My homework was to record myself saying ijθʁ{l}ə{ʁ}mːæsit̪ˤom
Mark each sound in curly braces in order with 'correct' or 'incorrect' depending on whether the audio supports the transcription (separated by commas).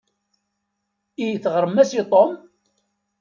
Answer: incorrect, incorrect